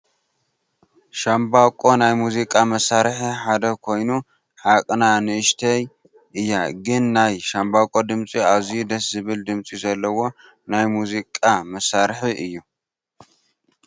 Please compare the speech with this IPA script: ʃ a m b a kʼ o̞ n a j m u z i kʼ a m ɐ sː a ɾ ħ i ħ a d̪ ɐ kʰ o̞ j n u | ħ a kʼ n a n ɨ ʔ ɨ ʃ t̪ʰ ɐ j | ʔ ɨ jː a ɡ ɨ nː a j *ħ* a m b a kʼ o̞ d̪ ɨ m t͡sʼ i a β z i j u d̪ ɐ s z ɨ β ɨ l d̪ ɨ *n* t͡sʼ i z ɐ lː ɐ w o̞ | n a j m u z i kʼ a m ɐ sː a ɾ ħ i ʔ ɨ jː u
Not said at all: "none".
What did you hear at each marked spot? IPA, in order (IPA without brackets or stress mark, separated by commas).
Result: ʃ, m